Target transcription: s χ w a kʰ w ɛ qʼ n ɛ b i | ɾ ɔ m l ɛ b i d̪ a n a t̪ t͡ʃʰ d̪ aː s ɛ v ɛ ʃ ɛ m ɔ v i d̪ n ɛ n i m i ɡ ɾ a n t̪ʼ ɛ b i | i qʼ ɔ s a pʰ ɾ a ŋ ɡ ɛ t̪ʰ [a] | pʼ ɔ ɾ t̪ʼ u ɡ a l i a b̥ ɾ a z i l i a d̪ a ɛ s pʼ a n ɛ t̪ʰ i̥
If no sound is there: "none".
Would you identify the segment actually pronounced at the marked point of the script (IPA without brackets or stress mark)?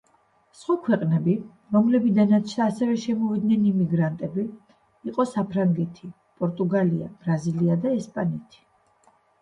i